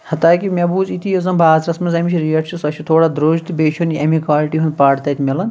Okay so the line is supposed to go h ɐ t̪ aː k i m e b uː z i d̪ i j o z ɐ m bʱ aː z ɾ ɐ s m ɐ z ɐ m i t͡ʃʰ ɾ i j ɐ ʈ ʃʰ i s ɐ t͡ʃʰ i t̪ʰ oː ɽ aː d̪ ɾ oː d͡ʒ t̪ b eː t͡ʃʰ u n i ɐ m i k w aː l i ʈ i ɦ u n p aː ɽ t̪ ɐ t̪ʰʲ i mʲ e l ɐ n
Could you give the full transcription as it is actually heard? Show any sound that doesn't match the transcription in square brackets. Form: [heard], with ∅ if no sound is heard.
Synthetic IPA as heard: h ɐ t̪ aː k i m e b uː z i [t̪] i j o z ɐ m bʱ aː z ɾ ɐ s m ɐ z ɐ m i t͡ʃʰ ɾ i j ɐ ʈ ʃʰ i s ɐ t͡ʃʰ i t̪ʰ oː ɽ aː d̪ ɾ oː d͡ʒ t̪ b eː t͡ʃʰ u n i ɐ m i k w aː l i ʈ i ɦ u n p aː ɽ t̪ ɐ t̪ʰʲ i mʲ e l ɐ n